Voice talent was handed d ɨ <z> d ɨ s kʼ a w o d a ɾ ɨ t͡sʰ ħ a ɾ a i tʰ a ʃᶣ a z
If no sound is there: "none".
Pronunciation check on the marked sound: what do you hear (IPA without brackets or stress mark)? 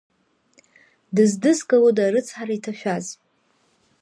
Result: z